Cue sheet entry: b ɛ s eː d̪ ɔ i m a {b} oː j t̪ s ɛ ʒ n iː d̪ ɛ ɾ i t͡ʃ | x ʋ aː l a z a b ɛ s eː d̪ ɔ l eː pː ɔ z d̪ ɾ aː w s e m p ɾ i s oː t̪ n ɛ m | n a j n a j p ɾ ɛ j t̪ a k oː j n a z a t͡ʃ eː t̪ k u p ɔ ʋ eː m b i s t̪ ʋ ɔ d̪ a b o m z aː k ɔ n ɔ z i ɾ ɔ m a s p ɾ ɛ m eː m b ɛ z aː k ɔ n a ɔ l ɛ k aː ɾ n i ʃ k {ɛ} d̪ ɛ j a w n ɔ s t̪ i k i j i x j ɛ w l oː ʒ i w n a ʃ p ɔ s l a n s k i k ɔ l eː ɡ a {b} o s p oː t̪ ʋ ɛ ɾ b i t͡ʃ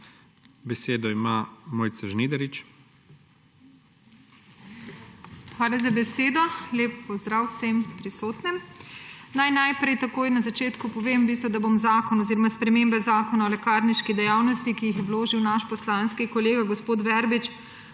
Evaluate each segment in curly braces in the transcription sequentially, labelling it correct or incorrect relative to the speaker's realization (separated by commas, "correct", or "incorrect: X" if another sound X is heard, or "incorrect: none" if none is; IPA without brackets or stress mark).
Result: incorrect: m, incorrect: i, incorrect: ɡ